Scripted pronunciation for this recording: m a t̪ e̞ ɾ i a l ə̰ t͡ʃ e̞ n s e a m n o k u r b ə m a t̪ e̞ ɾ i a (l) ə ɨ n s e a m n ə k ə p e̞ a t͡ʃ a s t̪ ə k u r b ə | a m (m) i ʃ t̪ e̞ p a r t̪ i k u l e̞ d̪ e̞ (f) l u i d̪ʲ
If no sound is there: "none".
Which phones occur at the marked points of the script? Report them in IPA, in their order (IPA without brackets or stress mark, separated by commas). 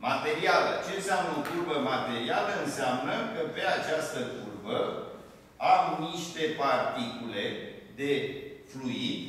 l, n, f